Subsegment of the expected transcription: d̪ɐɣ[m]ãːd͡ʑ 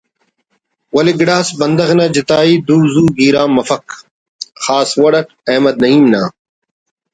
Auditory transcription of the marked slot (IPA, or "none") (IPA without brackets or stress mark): n